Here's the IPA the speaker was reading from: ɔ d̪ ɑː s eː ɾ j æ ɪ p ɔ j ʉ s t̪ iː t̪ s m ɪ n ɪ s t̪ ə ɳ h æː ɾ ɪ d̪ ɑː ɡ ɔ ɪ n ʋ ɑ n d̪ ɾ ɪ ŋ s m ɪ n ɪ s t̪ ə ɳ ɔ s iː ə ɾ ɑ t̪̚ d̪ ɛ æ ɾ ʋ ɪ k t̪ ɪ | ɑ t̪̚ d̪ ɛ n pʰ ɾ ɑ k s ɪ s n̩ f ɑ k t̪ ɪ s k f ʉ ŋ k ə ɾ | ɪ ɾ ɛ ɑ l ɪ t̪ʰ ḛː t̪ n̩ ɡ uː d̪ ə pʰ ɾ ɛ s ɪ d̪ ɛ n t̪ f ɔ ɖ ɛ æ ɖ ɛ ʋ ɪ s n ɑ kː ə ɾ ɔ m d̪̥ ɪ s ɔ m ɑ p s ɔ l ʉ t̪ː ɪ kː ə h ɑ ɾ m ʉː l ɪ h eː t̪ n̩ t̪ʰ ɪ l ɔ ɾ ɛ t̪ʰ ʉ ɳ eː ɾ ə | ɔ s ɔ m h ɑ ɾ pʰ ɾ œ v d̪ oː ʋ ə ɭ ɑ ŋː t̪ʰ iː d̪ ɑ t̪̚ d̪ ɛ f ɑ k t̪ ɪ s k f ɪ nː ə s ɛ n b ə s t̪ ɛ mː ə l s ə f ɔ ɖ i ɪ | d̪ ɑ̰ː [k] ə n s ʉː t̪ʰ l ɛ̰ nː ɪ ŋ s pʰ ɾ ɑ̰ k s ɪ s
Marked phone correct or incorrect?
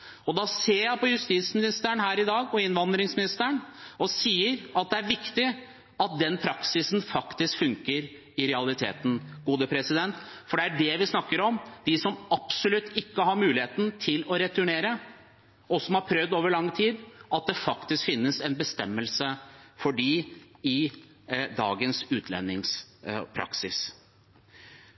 incorrect